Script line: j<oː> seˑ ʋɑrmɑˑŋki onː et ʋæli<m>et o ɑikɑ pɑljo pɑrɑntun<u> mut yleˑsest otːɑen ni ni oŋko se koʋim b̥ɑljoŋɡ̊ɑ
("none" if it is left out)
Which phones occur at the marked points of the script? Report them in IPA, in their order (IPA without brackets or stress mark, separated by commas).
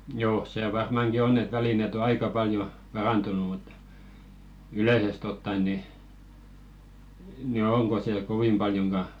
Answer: oː, n, u